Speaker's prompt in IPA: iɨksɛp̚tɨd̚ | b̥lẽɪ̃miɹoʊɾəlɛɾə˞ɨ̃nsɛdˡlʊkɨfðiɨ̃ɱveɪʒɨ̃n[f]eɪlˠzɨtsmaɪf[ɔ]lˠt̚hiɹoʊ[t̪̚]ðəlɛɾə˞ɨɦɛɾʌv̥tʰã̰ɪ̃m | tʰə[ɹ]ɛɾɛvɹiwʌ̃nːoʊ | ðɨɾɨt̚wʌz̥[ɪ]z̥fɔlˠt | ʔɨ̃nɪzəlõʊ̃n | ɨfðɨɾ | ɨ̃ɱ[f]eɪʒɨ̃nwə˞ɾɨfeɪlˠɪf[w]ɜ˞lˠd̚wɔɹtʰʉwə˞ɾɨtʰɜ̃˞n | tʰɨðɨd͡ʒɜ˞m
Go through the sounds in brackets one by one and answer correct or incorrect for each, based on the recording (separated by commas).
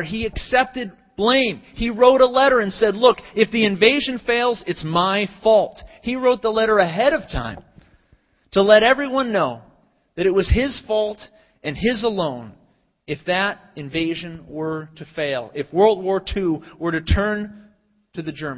correct, correct, correct, incorrect, correct, incorrect, correct